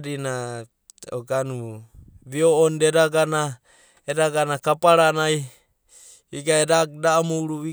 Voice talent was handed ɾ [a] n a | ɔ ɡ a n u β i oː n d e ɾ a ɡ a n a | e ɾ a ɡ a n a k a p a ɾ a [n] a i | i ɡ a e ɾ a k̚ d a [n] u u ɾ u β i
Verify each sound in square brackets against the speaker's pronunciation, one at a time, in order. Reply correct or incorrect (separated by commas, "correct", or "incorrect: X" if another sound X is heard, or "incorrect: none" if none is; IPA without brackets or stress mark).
incorrect: i, correct, incorrect: m